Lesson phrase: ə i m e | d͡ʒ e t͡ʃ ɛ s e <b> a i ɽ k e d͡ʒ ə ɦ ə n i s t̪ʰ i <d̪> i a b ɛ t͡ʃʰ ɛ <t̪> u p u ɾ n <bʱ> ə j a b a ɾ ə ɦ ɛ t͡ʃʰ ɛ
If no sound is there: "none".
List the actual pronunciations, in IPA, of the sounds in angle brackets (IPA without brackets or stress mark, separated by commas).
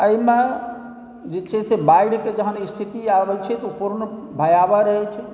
b, t̪, t̪, bʱ